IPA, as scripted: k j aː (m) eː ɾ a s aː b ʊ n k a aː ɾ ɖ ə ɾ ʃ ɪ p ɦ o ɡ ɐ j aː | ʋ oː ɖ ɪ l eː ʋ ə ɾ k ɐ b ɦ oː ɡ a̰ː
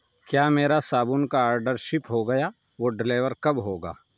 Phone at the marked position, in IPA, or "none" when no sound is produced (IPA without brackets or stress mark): m